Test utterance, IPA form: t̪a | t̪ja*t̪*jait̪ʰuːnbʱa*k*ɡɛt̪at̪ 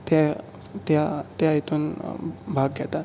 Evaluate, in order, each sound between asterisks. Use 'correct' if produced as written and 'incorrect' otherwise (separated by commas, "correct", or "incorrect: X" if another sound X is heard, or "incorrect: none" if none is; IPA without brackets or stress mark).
correct, incorrect: ɡ